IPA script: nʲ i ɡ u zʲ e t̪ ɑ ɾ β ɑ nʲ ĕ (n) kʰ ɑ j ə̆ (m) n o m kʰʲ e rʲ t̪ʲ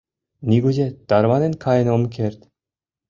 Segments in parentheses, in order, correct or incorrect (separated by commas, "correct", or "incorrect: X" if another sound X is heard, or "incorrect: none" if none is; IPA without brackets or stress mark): correct, incorrect: none